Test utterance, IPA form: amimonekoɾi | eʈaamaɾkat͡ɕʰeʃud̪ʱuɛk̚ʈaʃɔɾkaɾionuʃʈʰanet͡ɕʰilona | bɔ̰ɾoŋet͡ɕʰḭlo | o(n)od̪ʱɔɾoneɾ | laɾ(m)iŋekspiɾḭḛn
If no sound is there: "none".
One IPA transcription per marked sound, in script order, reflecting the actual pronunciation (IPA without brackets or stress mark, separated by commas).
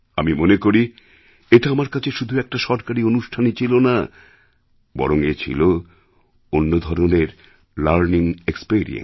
nː, n